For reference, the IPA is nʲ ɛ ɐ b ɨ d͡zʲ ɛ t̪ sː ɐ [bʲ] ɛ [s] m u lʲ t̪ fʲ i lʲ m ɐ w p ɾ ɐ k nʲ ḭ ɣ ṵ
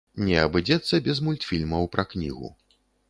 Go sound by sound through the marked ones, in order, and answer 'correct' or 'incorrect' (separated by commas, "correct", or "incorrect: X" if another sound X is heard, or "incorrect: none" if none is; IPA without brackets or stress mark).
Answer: correct, incorrect: z